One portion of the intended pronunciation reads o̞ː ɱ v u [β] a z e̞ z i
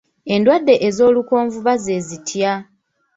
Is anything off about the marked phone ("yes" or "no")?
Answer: no